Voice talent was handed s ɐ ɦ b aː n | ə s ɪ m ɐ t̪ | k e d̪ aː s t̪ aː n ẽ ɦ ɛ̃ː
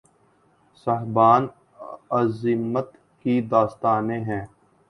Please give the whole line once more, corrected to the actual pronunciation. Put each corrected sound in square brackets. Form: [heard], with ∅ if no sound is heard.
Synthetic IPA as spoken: s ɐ ɦ b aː n | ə [z] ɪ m [ə] t̪ | k [i] d̪ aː s t̪ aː n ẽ ɦ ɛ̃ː